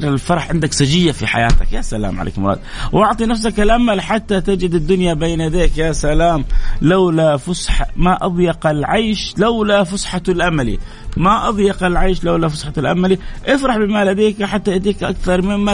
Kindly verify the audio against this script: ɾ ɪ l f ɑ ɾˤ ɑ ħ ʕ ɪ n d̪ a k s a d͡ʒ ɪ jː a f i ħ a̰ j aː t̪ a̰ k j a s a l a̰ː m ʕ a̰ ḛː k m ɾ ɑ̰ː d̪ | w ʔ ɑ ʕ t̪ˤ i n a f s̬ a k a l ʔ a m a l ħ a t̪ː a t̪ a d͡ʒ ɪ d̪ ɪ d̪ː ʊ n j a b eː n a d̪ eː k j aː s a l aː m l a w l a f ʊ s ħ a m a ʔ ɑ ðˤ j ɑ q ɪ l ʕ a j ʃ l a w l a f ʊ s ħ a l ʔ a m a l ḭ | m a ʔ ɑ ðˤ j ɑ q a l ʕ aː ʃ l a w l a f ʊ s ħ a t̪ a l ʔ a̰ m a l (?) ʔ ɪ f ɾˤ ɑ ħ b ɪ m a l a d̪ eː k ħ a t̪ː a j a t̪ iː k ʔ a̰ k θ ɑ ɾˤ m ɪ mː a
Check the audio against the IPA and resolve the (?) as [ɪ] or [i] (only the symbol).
i